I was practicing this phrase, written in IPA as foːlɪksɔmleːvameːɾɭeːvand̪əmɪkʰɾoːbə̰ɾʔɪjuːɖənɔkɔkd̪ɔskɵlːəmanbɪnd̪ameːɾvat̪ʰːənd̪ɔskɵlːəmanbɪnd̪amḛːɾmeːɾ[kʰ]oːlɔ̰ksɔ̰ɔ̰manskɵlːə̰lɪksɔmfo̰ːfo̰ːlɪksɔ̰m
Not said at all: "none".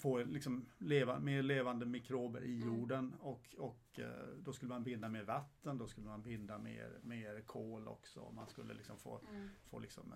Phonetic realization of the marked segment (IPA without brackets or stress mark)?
kʰ